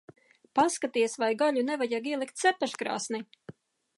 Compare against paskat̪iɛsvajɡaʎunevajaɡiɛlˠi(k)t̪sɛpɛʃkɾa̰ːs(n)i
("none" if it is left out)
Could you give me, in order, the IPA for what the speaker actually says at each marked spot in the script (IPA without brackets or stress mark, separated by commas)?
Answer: k, n